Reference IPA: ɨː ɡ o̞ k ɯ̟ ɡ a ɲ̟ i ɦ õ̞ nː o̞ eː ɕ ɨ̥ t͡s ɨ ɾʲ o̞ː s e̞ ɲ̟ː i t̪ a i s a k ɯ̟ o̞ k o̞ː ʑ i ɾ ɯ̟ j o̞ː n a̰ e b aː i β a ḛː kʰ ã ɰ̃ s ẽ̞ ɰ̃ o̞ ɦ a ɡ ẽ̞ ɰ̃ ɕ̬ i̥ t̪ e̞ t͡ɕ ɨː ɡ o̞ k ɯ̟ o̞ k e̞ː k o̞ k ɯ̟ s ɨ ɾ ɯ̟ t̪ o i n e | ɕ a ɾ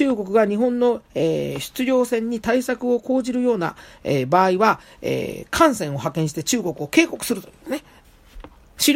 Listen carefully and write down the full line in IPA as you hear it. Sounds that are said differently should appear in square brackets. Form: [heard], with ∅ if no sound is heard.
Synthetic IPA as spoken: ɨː ɡ o̞ k ɯ̟ ɡ a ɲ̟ i ɦ õ̞ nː o̞ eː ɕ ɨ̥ t͡s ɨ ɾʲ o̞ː s [ẽ̞] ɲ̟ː i t̪ a i s a k ɯ̟ o̞ k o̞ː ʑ i ɾ ɯ̟ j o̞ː n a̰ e b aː i β a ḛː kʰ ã ɰ̃ s ẽ̞ ɰ̃ o̞ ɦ a [k] ẽ̞ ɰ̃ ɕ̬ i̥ t̪ e̞ t͡ɕ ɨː ɡ o̞ k ɯ̟ o̞ k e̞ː k o̞ k ɯ̟ s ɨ ɾ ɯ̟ t̪ o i n e | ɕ [i] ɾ